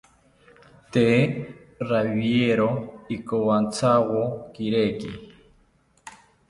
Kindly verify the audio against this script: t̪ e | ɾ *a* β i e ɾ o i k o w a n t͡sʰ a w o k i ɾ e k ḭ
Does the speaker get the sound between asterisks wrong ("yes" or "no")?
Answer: no